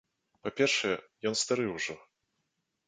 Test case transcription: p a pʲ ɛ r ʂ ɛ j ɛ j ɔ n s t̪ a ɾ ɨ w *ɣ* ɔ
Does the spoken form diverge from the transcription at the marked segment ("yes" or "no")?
yes